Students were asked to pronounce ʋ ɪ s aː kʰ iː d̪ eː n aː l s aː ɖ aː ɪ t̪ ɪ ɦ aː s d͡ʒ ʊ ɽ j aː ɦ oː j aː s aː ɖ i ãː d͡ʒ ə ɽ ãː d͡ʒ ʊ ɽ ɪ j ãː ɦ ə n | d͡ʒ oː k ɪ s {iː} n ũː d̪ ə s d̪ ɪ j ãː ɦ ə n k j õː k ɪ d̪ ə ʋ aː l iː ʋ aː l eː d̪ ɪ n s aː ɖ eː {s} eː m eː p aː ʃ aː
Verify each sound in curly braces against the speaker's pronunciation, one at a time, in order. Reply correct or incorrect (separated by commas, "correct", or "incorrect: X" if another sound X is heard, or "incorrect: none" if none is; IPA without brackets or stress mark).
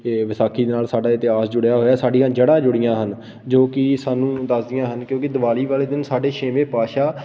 incorrect: aː, incorrect: ʃ